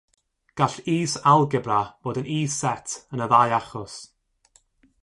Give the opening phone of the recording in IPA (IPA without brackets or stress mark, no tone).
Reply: ɡ̥